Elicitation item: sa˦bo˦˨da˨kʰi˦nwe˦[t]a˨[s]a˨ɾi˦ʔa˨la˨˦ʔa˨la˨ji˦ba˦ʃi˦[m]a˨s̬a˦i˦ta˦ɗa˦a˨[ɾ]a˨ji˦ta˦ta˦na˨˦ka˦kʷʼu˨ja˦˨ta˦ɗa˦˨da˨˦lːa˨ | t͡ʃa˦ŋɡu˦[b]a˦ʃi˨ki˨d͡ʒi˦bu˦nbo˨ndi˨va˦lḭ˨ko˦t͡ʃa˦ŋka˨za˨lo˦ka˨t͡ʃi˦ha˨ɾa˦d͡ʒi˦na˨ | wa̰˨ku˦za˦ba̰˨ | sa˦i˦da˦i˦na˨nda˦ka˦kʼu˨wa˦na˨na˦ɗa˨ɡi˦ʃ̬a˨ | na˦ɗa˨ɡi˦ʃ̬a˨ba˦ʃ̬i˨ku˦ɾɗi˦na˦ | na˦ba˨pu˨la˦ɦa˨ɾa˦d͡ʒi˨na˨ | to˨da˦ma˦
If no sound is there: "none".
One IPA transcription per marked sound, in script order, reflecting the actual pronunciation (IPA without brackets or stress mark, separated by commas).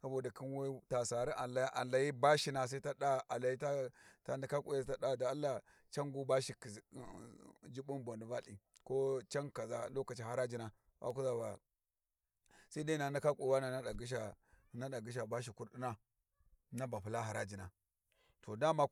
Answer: t, s, n, l, b